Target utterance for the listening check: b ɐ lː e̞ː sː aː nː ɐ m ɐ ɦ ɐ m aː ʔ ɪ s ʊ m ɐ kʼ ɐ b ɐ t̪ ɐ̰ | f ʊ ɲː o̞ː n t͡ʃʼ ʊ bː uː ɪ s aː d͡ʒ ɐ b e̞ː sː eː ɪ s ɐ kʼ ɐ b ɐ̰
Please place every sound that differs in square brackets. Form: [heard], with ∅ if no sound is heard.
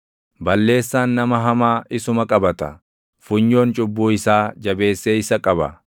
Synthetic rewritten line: b ɐ lː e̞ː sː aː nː ɐ m ɐ ɦ ɐ m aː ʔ ɪ s ʊ m ɐ kʼ ɐ b ɐ t̪ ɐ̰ | f ʊ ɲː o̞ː n t͡ʃʼ ʊ bː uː ɪ s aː d͡ʒ ɐ b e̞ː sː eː ɪ s ɐ kʼ ɐ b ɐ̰